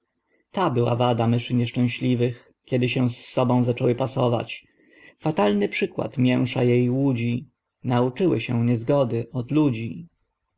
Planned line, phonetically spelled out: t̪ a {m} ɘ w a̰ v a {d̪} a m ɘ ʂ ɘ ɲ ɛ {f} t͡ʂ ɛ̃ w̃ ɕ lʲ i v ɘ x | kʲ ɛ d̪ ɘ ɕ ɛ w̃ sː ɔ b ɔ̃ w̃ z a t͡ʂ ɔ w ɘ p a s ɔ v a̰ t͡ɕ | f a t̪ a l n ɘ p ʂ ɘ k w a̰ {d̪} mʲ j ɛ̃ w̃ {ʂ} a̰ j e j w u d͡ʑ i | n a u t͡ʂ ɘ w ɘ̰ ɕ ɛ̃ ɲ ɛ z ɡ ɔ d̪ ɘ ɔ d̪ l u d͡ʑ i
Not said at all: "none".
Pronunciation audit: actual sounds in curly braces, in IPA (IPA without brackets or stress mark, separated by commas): b, d̪, ʂ, t̪, ʂ